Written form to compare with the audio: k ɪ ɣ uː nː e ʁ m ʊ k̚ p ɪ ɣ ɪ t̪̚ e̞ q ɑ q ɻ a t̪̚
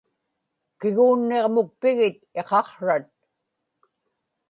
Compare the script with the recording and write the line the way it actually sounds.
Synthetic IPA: k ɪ ɣ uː nː e ʁ m ʊ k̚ p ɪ ɣ ɪ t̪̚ e̞ q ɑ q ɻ a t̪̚